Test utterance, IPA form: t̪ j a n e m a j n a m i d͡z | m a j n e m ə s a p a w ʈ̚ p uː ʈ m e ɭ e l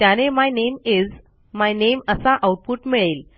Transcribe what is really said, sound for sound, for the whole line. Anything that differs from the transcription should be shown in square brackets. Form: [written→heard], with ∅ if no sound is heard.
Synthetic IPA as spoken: t̪ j a n e m a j n [a→e] m i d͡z | m a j n e m ə s a [p→ʔ] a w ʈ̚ p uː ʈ m [e→i] ɭ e l